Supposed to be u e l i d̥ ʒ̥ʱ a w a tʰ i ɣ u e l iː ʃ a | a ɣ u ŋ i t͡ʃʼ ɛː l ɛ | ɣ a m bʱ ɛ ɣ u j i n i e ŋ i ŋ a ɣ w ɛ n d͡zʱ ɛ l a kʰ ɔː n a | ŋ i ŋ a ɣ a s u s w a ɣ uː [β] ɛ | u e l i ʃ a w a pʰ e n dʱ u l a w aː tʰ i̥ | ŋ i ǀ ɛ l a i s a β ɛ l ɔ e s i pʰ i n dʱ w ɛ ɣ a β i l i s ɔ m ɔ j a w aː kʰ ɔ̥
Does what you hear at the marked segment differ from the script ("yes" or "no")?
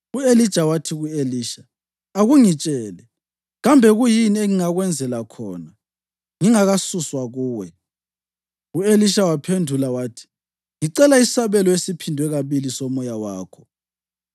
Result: yes